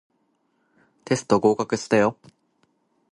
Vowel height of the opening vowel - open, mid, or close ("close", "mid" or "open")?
mid